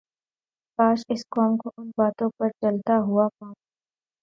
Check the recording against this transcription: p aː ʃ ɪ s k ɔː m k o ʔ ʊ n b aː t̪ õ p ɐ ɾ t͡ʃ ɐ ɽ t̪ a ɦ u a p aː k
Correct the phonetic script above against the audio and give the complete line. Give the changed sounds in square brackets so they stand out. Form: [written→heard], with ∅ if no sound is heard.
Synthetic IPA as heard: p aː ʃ ɪ s k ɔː m k o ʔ ʊ n b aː t̪ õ p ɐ ɾ t͡ʃ ɐ [ɽ→l] t̪ a ɦ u a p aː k